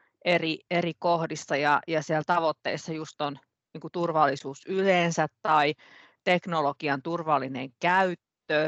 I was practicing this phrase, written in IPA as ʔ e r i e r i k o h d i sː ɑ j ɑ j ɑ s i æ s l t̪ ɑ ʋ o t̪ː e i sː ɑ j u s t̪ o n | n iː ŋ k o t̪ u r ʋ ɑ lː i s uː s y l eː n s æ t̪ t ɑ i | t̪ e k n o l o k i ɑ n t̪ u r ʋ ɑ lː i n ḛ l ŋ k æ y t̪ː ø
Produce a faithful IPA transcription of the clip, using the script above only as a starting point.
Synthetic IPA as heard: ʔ e r i e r i k o h d i sː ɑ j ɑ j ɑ s i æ l t̪ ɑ ʋ o t̪ː e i sː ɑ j u s t̪ o n | n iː ŋ k u t̪ u r ʋ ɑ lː i s uː s y l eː n s æ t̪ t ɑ i | t̪ e k n o l o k i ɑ n t̪ u r ʋ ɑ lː i n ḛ ŋ k æ y t̪ː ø